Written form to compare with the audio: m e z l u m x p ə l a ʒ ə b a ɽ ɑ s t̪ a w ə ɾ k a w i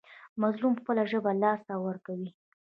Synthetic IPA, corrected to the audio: m a z l u m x p ə l a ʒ ə b a l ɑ s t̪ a w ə ɾ k a w i